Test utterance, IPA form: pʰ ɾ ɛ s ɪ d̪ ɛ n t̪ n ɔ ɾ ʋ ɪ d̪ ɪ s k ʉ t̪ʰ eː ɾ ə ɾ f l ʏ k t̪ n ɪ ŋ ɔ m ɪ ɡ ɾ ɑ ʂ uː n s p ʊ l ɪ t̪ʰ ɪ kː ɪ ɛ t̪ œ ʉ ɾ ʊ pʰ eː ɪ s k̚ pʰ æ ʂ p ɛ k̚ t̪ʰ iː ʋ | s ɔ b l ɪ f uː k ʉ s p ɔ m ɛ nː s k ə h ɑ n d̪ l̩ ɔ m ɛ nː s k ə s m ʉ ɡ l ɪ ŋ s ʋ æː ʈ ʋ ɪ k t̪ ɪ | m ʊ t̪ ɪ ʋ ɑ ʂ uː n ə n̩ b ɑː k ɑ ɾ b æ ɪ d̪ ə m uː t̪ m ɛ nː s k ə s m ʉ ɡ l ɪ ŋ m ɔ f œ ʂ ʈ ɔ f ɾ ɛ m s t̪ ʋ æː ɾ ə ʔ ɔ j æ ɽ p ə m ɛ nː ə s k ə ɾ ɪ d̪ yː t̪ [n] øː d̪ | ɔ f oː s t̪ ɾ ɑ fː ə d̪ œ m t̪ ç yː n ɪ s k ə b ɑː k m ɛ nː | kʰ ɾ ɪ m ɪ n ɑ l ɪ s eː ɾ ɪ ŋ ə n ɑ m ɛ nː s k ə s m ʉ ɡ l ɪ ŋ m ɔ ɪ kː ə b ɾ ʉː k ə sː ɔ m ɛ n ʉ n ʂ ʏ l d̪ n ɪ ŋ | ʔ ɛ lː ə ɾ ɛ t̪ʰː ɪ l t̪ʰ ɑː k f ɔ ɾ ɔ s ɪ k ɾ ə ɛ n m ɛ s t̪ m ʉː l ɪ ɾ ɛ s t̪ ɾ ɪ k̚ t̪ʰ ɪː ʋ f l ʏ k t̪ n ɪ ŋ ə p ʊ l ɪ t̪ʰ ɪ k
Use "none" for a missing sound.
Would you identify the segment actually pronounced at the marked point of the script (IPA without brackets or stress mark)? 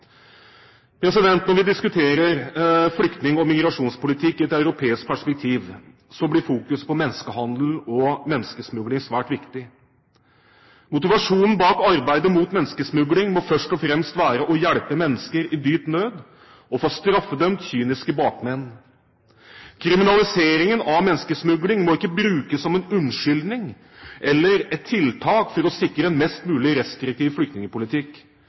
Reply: n